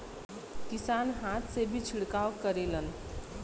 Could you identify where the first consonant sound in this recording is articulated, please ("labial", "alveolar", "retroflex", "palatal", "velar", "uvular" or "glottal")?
velar